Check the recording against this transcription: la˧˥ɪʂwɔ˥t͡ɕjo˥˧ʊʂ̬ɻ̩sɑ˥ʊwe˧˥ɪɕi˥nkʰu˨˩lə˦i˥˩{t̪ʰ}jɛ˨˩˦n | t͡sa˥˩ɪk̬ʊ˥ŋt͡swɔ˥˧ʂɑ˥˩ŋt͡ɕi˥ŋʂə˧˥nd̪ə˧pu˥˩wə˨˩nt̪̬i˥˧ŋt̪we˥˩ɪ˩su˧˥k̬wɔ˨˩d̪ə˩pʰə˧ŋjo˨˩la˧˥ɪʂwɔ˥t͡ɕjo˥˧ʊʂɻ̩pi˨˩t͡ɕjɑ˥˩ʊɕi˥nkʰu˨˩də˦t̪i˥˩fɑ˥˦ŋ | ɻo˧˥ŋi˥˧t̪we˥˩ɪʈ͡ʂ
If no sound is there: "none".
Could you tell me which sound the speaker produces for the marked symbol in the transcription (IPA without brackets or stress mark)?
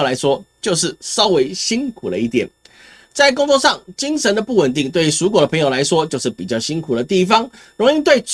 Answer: t̪